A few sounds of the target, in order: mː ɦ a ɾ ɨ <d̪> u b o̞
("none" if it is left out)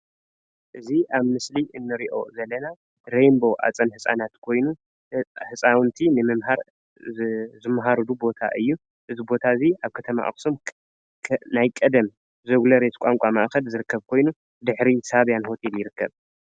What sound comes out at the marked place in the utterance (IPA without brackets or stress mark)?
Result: d̪